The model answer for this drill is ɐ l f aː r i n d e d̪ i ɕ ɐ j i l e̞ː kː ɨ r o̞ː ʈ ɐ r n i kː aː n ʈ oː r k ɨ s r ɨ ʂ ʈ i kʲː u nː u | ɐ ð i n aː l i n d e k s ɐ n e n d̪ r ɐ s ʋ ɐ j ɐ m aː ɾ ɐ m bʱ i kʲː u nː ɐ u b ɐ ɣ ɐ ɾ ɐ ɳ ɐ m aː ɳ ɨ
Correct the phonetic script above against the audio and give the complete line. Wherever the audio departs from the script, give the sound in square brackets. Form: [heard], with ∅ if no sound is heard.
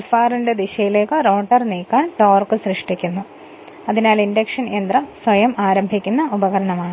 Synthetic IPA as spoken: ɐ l f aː r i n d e d̪ i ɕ ɐ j i l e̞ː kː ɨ r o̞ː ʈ ɐ r n [iː] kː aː n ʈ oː r k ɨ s r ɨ ʂ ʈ i kʲː u nː u | ɐ ð i n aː l i n d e k [ʂ] ɐ n e n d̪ r ɐ s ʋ ɐ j ɐ m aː ɾ ɐ m bʱ i kʲː u nː ɐ u b ɐ ɣ ɐ ɾ ɐ ɳ ɐ m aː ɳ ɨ